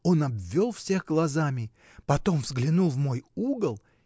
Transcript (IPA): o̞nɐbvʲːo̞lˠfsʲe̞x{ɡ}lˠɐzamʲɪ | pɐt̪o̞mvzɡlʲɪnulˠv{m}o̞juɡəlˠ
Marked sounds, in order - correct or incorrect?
correct, correct

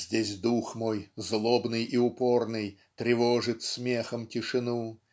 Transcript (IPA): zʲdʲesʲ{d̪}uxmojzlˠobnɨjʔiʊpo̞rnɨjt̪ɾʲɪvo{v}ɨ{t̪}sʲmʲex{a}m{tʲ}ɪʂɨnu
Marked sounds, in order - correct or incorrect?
correct, incorrect: ʐ, correct, incorrect: ə, correct

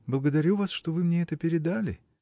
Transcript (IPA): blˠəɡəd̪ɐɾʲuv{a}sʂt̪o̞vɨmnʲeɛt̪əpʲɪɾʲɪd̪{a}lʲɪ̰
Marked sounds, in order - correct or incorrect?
correct, correct

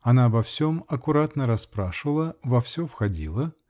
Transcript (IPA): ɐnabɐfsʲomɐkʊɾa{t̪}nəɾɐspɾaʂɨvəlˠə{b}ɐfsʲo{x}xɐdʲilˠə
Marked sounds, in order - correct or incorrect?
correct, incorrect: v, incorrect: f

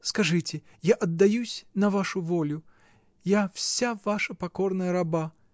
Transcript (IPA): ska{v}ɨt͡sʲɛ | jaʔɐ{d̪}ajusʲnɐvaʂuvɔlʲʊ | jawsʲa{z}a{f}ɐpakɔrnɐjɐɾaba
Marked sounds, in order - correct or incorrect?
incorrect: ʐ, incorrect: d̪ː, incorrect: v, incorrect: ʂ

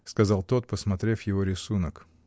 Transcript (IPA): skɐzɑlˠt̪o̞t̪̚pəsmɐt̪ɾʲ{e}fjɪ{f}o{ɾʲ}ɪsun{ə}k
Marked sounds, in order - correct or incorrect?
correct, incorrect: v, correct, correct

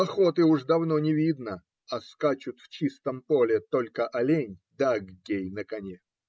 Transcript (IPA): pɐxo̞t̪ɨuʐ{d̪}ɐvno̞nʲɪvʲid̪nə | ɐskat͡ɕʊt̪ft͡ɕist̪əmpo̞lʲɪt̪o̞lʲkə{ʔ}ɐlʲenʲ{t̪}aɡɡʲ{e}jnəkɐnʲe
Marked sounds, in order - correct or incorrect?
correct, correct, incorrect: d̪, correct

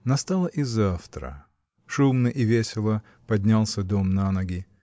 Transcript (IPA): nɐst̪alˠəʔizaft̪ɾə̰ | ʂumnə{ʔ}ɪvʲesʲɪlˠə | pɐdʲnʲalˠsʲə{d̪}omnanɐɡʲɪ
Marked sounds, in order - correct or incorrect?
correct, correct

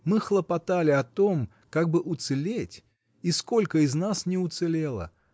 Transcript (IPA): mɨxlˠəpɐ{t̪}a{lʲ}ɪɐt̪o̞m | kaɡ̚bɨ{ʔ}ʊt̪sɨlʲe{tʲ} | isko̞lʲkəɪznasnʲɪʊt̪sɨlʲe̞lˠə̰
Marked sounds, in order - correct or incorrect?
correct, correct, correct, correct

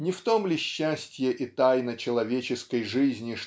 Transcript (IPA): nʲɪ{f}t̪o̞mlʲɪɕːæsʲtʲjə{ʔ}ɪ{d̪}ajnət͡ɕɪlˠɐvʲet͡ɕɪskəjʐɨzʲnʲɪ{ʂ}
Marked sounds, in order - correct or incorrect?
correct, correct, incorrect: t̪, correct

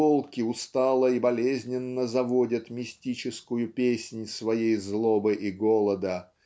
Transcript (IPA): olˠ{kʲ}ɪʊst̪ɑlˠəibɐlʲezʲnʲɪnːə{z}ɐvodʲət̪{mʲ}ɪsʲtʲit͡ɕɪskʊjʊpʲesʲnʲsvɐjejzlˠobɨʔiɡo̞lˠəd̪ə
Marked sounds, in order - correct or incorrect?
correct, correct, correct

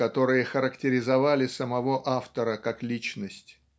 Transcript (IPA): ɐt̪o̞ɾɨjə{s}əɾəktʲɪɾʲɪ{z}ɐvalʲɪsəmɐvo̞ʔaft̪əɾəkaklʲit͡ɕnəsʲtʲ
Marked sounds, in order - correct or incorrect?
incorrect: x, correct

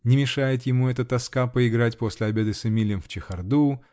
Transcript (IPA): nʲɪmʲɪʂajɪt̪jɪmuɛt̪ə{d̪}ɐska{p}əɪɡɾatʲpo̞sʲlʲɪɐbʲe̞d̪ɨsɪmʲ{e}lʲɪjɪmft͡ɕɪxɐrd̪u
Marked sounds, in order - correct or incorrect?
incorrect: t̪, correct, incorrect: i

